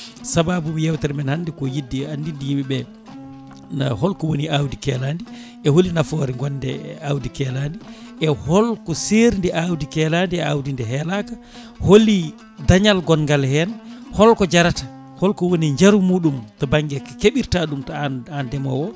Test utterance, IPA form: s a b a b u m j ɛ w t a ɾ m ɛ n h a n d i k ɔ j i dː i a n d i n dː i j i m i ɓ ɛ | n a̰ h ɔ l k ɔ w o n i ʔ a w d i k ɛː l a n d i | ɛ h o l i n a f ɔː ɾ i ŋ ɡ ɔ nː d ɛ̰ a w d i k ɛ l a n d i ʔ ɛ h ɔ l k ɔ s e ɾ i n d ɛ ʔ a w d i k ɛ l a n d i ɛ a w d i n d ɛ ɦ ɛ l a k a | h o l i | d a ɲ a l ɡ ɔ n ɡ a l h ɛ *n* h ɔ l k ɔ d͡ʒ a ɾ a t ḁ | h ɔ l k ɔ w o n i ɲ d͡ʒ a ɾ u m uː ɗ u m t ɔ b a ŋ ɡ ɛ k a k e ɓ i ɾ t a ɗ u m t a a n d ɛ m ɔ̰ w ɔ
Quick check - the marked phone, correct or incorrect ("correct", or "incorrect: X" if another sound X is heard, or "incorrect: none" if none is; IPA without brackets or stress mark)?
correct